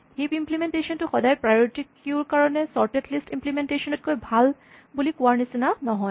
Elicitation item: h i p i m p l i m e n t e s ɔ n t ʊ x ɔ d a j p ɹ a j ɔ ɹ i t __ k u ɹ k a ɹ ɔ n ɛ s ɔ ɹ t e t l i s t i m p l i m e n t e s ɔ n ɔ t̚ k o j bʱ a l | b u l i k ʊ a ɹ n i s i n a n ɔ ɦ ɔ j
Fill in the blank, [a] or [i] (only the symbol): i